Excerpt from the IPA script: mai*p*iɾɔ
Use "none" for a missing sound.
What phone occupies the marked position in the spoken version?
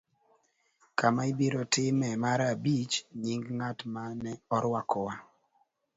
b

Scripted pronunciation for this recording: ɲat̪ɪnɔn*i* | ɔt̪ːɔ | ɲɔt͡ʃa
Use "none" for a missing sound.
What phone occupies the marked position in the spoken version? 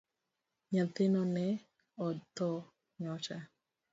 ɛ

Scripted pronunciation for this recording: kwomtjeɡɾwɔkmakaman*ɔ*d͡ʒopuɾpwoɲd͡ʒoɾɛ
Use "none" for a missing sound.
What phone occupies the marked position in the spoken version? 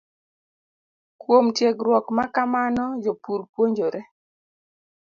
ɔ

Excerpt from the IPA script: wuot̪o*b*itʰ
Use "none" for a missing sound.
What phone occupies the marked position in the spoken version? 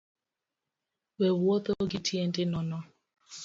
ɡ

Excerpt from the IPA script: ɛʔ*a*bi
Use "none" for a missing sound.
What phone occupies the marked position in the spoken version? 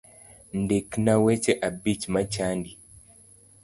a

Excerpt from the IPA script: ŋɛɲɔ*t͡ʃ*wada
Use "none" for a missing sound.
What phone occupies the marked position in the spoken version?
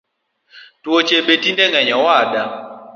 none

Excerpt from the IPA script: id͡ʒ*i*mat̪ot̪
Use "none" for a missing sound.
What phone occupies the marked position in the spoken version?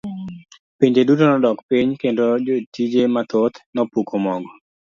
e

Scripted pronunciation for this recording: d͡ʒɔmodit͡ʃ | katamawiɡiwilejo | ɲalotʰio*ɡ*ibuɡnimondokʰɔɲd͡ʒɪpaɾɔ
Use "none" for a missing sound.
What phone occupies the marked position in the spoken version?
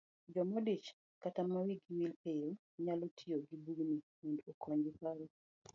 ɡ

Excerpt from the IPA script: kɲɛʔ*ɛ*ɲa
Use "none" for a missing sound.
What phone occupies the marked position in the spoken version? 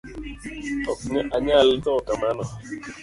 a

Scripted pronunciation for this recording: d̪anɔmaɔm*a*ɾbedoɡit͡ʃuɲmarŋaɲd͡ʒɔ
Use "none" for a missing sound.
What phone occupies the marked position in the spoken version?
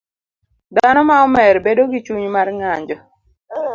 ɛ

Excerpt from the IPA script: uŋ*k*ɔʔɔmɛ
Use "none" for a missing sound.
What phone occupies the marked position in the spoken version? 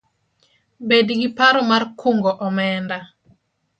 ɡ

